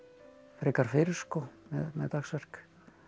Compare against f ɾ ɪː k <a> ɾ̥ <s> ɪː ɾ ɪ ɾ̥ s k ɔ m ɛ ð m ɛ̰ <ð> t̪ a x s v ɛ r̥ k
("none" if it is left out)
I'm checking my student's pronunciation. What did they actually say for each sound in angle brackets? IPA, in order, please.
a, f, ð

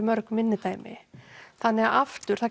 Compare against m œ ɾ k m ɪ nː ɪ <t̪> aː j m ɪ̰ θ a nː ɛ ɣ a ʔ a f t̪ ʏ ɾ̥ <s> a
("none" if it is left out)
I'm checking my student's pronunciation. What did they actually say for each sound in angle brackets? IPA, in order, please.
t̪, θ

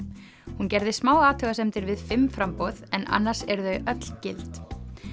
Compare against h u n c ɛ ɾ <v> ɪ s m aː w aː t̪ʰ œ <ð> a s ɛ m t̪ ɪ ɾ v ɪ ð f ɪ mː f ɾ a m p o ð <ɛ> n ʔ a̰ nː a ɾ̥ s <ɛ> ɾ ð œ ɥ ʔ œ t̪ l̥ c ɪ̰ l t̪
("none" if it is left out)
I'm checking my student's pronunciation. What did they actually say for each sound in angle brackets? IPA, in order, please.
ð, ɣ, ɛ, ɛ

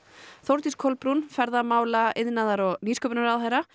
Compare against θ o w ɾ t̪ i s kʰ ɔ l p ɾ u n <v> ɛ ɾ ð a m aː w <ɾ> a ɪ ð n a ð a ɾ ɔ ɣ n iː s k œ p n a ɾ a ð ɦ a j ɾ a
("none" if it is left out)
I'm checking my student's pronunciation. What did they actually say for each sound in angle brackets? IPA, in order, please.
f, l

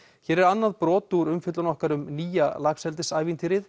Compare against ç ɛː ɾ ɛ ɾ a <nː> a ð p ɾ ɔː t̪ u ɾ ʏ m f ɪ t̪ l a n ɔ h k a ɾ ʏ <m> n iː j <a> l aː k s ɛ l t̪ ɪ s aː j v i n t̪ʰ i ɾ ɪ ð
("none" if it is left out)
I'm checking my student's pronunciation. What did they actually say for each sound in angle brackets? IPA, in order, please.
nː, m, a

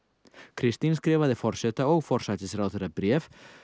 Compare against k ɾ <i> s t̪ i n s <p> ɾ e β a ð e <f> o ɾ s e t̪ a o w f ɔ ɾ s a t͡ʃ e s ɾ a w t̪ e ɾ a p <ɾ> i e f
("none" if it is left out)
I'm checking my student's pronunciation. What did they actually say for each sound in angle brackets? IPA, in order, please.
i, k, f, ɾ

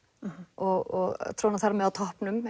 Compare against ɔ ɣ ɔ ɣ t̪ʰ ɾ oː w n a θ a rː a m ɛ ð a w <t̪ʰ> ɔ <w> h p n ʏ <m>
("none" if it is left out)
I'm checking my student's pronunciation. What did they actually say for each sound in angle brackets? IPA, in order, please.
t̪ʰ, none, m

